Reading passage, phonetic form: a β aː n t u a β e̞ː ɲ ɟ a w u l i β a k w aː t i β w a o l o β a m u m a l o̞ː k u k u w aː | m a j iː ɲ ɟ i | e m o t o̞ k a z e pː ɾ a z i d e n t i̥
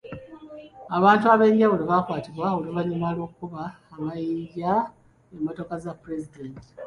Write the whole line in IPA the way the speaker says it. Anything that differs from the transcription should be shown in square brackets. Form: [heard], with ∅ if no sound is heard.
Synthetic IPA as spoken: a β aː n t u a β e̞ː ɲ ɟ a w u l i β a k w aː t i β w a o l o β a [ɲ] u m a l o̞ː k u k u [β] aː | m a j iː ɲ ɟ [a] | e m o t o̞ k a z [a] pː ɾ [e] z i d e n t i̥